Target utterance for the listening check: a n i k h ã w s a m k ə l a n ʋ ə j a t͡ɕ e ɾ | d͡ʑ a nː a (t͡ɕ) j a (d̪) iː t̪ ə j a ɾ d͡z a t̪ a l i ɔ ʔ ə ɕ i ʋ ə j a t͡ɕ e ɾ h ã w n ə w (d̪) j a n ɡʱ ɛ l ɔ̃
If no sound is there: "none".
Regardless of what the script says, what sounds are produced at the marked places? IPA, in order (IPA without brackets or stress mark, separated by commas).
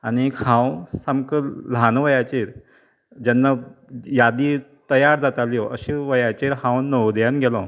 none, d̪, d̪